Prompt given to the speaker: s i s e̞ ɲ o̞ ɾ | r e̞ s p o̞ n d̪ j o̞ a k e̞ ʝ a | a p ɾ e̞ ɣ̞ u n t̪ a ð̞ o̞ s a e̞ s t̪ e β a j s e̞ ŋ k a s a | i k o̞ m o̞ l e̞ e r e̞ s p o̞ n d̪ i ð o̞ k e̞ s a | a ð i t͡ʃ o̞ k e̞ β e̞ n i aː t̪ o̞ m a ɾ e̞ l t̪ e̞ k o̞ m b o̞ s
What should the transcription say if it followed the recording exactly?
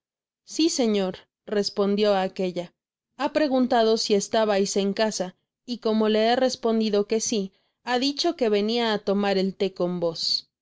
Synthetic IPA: s i s e̞ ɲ o̞ ɾ | r e̞ s p o̞ n d̪ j o̞ a k e̞ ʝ a | a p ɾ e̞ ɣ̞ u n t̪ a ð̞ o̞ s i e̞ s t̪ a β a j s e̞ ŋ k a s a | i k o̞ m o̞ l e̞ e r e̞ s p o̞ n d̪ i ð o̞ k e̞ s i | a ð i t͡ʃ o̞ k e̞ β e̞ n i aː t̪ o̞ m a ɾ e̞ l t̪ e̞ k o̞ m b o̞ s

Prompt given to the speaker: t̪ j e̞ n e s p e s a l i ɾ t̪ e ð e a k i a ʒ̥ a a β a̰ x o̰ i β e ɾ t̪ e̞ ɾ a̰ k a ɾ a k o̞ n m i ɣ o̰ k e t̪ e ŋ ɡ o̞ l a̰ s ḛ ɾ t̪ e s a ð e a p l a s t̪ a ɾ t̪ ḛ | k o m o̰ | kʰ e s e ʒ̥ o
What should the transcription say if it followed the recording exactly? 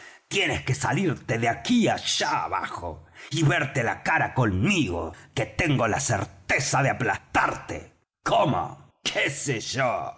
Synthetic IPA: t̪ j e̞ n e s k e s a l i ɾ t̪ e ð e a k i a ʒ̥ a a β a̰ x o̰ i β e ɾ t̪ e̞ l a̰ k a ɾ a k o̞ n m i ɣ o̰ k e t̪ e ŋ ɡ o̞ l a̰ s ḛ ɾ t̪ e s a ð e a p l a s t̪ a ɾ t̪ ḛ | k o m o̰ | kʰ e s e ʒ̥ o

